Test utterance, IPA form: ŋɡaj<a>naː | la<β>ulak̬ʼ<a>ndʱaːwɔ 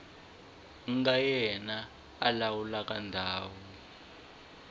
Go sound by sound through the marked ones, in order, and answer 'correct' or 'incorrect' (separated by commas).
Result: incorrect, incorrect, correct